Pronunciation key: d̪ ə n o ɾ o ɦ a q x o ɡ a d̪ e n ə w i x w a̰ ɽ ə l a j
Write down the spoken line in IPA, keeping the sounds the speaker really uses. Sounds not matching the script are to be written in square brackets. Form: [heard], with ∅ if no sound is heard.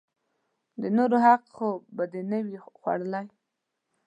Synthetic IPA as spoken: d̪ ə n o ɾ o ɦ a q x o [b] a d̪ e n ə w i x w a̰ ɽ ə l a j